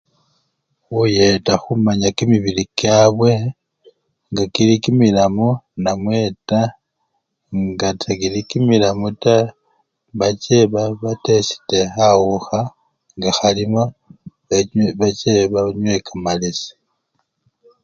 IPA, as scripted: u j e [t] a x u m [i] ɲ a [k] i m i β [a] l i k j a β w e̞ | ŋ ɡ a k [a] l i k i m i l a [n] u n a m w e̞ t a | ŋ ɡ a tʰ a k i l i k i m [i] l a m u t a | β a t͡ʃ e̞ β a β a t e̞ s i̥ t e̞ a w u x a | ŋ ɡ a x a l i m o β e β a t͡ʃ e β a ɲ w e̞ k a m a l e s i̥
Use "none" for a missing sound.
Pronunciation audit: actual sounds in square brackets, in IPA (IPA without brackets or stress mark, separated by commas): t, a, k, i, i, m, i